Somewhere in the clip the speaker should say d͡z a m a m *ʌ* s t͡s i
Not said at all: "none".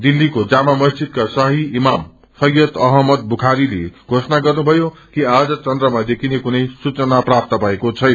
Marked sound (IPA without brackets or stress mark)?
ʌ